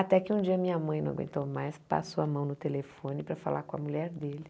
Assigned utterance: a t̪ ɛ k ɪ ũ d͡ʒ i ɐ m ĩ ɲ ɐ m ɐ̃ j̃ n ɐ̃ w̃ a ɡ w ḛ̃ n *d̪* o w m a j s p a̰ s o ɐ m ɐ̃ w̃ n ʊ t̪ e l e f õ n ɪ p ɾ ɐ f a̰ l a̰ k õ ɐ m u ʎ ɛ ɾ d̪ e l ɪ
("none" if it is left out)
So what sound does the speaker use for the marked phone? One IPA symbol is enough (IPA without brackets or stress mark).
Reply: t̪